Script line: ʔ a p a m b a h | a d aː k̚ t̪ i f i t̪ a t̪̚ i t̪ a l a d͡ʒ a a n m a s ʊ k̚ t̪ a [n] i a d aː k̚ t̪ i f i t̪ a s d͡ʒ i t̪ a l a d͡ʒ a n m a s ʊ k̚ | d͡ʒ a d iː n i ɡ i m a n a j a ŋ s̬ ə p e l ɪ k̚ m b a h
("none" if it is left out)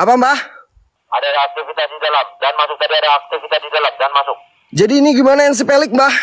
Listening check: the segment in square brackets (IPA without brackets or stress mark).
d